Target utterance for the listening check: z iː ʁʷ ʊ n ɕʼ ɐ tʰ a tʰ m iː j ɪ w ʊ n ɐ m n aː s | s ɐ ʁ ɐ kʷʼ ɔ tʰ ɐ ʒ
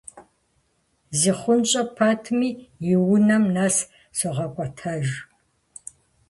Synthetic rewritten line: z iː χʷ ʊ n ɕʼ ɐ pʰ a tʰ m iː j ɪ w ʊ n ɐ m n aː s | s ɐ ʁ ɐ kʷʼ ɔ tʰ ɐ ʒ